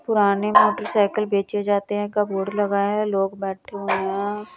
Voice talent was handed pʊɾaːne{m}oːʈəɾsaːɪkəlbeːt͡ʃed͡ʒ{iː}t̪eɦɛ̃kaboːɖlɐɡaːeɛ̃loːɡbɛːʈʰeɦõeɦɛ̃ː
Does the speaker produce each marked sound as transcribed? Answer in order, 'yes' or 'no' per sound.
yes, no

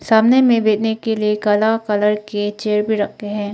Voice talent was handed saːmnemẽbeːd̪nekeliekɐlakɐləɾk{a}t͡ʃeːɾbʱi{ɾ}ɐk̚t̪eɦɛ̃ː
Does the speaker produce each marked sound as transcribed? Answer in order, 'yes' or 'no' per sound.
no, yes

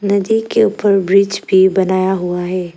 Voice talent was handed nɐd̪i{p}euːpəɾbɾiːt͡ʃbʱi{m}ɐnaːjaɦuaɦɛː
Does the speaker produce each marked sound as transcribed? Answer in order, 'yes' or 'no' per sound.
no, no

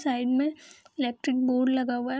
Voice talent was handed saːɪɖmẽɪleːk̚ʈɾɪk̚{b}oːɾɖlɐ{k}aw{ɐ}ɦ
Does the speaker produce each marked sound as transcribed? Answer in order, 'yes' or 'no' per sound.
yes, no, no

